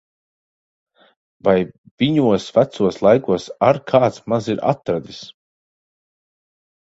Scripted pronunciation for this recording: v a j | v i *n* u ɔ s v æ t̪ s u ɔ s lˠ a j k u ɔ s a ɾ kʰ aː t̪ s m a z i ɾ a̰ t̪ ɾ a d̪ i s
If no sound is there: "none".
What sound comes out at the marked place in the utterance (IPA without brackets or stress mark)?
ɲ